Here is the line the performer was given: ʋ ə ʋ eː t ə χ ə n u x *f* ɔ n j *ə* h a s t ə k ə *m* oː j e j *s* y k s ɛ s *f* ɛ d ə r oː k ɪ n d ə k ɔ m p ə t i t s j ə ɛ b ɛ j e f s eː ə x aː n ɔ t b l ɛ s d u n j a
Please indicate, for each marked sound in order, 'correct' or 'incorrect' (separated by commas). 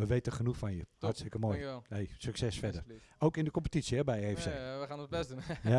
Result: correct, correct, correct, correct, correct